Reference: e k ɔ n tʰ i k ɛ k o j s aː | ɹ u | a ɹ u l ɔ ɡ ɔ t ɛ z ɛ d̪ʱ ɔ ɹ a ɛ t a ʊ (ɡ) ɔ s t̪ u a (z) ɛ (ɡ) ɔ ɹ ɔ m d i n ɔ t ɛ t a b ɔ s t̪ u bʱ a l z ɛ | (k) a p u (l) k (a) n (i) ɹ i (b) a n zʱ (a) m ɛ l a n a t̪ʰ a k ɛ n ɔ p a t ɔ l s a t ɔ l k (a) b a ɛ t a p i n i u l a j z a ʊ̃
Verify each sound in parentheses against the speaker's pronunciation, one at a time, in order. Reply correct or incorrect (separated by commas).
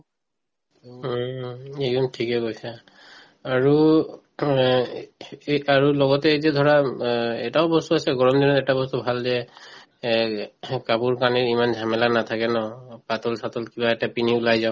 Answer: incorrect, incorrect, correct, correct, incorrect, correct, correct, incorrect, correct, incorrect